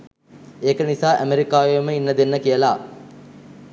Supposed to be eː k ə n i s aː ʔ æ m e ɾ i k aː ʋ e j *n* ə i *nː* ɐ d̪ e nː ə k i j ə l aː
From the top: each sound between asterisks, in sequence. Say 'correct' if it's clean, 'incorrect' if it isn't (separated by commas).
incorrect, correct